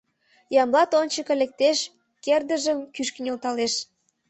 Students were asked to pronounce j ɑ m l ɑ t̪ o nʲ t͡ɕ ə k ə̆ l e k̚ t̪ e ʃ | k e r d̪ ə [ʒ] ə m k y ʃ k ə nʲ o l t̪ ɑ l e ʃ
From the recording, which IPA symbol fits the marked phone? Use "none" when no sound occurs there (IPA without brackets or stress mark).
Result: ʒ